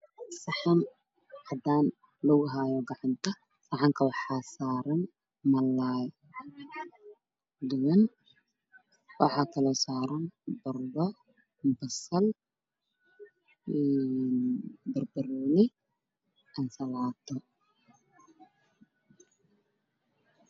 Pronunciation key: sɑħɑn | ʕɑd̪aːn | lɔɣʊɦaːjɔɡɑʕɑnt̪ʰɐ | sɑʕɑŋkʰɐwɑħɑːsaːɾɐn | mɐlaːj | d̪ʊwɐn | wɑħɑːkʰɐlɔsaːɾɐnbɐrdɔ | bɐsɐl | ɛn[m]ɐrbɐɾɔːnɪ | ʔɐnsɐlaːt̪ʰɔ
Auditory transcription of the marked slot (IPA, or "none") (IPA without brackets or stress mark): b